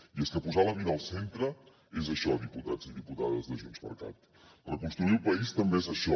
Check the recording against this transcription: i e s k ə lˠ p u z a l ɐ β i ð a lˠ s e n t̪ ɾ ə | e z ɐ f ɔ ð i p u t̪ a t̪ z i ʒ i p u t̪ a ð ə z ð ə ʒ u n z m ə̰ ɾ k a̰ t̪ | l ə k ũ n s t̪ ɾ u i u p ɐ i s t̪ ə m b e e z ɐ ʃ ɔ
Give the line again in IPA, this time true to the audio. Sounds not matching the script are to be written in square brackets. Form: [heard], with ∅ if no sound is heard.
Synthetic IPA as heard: i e s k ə [∅] p u z a l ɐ β i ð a lˠ s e n t̪ ɾ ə | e z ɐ [ʃ] ɔ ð i p u t̪ a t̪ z i [ð] i p u t̪ a ð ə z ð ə ʒ u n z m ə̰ ɾ k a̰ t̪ | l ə k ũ n s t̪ ɾ u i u p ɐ i s t̪ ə m b e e z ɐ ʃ ɔ